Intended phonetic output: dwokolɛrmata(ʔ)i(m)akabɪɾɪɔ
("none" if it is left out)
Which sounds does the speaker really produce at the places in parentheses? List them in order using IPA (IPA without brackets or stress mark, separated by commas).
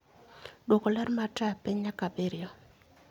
p, ɲ